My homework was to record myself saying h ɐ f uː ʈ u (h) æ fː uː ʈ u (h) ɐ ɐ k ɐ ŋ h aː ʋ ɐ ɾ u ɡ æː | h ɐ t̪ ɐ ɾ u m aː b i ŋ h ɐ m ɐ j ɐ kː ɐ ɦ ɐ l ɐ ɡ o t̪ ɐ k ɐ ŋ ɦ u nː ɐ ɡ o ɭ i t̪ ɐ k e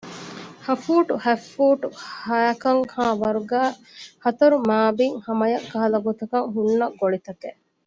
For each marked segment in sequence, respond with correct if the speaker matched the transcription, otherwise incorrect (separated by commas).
correct, correct